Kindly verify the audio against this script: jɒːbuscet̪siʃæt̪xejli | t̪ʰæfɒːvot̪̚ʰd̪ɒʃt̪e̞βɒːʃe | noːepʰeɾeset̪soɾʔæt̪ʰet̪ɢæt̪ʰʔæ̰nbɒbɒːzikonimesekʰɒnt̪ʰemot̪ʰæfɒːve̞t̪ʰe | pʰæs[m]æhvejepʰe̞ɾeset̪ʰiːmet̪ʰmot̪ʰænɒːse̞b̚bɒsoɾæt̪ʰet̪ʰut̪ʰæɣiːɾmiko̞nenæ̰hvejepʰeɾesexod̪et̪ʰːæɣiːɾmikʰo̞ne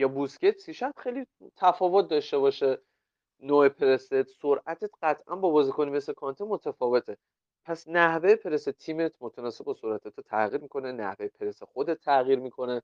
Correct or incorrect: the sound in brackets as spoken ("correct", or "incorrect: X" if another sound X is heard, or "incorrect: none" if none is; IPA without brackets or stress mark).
incorrect: n